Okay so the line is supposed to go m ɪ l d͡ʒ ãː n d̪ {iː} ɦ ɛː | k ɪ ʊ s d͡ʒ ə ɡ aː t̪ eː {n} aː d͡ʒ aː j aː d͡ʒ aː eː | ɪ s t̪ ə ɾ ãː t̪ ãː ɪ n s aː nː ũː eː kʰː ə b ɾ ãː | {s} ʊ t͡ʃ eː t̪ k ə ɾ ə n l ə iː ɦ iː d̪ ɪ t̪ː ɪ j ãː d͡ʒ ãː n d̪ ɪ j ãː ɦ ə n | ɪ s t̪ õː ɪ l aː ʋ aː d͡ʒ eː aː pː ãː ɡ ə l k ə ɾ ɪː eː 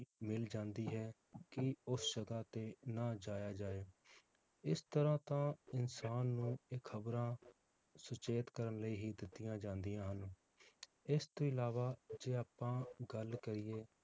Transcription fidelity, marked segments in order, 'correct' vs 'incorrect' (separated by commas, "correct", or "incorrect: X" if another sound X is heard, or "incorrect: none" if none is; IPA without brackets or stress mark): correct, correct, correct